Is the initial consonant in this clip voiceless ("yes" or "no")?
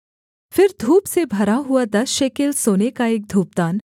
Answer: yes